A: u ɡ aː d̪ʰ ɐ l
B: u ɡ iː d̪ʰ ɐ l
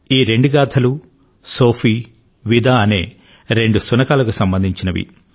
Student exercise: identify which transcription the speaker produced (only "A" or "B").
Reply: A